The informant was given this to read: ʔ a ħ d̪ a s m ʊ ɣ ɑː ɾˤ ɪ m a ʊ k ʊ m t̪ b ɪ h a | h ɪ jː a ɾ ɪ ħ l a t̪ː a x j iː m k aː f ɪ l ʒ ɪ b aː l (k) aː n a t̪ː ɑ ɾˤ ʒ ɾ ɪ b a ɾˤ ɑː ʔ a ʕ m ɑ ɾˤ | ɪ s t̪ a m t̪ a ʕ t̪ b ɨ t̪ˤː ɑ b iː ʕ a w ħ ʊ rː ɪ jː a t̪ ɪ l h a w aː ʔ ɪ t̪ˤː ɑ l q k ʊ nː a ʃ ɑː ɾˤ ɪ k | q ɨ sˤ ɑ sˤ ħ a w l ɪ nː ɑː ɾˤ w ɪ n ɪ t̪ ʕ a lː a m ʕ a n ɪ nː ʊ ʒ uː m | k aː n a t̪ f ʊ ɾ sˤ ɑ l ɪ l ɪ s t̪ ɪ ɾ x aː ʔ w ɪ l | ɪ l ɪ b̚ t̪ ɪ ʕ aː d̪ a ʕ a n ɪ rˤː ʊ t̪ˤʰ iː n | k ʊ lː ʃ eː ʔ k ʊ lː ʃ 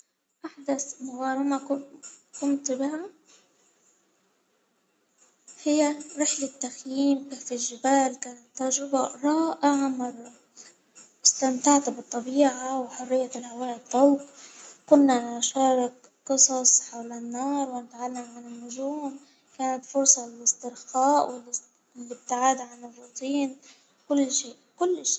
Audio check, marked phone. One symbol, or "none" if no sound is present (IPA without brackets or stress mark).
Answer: k